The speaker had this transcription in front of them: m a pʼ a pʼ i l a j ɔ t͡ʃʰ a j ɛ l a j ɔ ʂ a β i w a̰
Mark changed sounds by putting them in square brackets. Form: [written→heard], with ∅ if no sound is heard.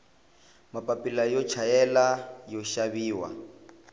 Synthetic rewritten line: m a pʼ a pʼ i l a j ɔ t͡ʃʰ a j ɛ l a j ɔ [ʂ→ʃ] a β [i→iː] w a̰